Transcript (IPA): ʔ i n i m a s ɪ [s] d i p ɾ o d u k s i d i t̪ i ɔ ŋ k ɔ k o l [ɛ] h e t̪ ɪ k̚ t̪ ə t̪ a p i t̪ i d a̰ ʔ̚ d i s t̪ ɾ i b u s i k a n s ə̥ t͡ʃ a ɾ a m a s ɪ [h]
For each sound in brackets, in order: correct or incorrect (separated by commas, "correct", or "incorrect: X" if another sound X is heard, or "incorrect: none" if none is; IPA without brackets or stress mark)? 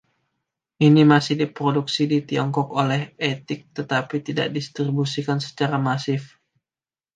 incorrect: h, correct, incorrect: f